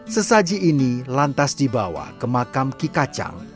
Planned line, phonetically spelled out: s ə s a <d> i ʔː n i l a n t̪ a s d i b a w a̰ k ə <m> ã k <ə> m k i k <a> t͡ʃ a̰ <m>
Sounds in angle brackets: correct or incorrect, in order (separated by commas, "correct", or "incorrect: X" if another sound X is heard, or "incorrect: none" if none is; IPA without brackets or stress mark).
incorrect: d͡ʒ, correct, incorrect: a, correct, incorrect: ŋ